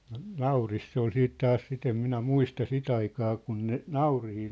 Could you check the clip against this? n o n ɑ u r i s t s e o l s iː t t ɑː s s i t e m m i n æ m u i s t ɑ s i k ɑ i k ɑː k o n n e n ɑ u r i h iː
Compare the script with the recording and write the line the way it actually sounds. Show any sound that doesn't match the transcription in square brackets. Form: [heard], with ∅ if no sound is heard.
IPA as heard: n o n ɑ u r i s t s e o l s iː t t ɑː s s i t e m m i n æ m u i s t ɑ s i [t] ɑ i k ɑː k [u] n n e n ɑ u r i h iː